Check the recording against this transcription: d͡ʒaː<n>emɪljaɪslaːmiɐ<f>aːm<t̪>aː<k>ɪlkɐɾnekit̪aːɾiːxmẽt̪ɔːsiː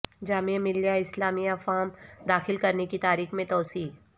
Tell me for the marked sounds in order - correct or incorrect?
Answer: incorrect: m, correct, incorrect: d̪, incorrect: x

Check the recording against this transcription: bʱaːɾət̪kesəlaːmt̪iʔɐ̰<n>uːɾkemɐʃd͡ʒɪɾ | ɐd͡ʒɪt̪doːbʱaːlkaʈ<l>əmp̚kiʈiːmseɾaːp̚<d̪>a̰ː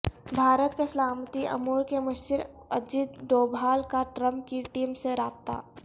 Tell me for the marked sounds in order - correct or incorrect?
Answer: incorrect: m, incorrect: ɾ, incorrect: t̪

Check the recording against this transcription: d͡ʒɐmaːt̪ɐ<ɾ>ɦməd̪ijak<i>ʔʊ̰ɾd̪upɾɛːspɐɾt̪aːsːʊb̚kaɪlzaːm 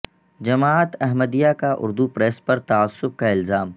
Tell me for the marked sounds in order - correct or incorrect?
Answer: incorrect: none, incorrect: a

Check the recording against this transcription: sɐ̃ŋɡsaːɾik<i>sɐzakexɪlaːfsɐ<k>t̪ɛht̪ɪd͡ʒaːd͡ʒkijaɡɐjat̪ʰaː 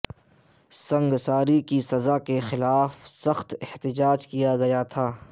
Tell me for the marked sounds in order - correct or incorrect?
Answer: correct, incorrect: x

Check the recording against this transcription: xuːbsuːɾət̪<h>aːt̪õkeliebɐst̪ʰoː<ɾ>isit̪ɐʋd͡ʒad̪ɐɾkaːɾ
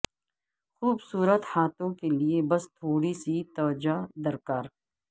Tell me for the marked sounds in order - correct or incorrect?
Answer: correct, incorrect: ɽ

